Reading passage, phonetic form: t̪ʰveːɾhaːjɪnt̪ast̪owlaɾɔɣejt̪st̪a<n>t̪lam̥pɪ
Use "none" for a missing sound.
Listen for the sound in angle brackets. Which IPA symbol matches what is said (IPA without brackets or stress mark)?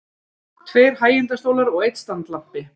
n